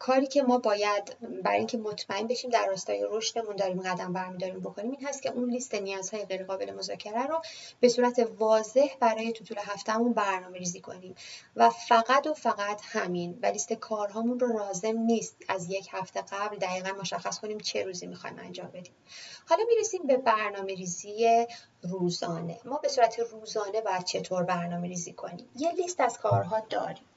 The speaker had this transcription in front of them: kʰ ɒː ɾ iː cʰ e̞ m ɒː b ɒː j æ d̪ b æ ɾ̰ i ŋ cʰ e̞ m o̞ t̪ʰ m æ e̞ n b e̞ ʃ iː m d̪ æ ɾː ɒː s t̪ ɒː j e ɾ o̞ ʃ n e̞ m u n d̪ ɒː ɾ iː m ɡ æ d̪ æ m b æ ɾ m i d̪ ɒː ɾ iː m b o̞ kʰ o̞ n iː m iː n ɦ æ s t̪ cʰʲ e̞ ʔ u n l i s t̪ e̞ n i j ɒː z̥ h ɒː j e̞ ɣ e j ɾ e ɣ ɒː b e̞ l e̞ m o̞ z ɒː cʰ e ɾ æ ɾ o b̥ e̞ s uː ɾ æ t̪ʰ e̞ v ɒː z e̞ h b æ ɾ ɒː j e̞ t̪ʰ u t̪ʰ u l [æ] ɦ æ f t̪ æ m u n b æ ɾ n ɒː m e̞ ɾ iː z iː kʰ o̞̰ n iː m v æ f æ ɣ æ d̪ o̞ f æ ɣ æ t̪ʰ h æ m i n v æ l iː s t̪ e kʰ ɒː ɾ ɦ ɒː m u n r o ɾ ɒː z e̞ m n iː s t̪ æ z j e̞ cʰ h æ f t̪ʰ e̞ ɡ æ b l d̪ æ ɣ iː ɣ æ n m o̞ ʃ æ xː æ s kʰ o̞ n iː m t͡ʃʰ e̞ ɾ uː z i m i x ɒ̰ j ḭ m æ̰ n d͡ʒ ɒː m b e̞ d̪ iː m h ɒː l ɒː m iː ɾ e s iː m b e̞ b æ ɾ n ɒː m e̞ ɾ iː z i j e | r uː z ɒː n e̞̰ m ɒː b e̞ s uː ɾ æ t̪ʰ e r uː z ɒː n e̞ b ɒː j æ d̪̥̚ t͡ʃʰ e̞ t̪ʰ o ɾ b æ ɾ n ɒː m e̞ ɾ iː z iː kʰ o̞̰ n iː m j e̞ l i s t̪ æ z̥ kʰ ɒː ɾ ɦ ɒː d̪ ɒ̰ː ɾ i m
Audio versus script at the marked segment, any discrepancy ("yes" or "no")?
yes